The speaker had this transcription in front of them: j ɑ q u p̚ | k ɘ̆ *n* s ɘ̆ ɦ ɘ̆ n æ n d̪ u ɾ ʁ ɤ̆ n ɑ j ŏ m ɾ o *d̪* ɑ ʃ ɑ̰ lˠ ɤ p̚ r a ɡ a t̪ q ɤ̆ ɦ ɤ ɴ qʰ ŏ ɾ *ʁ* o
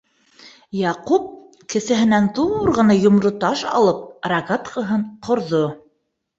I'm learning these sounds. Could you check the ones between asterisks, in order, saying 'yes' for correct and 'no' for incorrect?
no, no, no

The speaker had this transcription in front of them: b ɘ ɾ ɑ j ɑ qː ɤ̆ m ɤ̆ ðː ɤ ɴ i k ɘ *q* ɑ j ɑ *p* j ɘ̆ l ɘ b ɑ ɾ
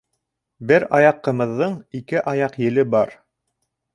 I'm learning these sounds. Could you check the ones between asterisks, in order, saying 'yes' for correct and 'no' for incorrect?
no, no

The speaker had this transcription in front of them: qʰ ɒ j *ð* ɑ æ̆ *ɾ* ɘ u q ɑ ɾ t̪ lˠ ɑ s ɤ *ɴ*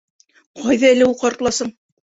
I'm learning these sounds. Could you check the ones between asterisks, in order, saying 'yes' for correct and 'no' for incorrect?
yes, no, yes

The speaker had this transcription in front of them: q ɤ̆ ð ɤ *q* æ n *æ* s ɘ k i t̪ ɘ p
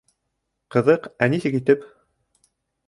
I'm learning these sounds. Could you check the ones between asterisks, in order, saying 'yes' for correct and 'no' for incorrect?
yes, no

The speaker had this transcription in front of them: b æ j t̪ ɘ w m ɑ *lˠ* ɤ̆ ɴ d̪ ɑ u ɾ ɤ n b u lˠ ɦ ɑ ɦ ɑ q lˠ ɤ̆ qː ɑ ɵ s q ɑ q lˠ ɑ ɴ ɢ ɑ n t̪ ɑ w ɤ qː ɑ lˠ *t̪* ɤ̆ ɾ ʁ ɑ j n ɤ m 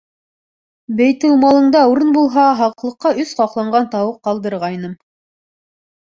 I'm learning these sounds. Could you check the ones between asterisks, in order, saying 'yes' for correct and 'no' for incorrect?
yes, no

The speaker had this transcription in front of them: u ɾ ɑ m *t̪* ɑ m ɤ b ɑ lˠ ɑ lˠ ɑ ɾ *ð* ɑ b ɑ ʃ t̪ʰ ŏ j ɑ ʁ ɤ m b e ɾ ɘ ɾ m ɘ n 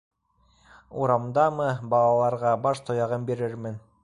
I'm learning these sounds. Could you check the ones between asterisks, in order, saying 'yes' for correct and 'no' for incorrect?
no, no

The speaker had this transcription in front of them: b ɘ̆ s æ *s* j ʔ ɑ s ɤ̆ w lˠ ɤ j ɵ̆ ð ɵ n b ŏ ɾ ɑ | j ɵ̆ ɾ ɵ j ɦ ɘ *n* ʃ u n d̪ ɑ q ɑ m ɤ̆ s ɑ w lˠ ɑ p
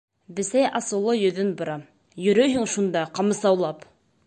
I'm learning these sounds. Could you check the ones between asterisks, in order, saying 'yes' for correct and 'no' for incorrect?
no, no

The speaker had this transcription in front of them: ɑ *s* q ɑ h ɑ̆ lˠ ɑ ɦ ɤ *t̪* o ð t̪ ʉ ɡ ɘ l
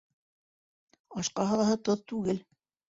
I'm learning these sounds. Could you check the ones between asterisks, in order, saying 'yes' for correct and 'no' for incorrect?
no, yes

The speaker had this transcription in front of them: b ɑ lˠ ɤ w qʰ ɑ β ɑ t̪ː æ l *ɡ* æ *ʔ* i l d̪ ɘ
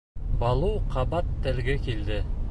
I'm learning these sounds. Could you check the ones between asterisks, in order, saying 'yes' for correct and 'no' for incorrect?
yes, no

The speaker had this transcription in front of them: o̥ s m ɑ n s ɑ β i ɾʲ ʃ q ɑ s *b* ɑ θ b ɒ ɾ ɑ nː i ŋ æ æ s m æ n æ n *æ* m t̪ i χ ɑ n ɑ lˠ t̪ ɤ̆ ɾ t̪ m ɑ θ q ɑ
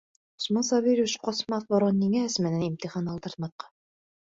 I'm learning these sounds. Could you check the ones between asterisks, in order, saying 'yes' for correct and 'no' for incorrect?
no, no

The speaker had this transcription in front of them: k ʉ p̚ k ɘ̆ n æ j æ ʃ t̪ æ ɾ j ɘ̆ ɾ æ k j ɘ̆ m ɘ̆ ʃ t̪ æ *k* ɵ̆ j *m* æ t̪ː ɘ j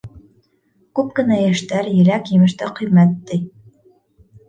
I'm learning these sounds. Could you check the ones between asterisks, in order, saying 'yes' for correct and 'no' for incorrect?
no, yes

